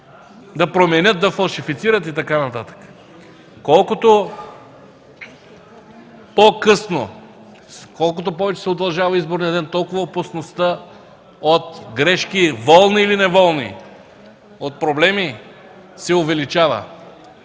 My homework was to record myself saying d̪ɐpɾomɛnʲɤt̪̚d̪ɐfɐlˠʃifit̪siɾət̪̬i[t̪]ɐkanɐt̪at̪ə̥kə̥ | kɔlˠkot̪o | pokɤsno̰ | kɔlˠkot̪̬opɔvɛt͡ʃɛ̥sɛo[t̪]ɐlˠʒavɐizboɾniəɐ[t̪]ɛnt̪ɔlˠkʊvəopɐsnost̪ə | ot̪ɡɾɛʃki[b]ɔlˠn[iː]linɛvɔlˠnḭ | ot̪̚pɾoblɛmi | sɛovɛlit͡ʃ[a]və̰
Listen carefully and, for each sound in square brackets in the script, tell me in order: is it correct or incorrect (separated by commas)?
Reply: correct, incorrect, incorrect, incorrect, correct, correct